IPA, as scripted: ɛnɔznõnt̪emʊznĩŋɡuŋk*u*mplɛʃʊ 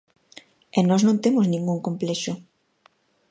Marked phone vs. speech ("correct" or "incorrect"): incorrect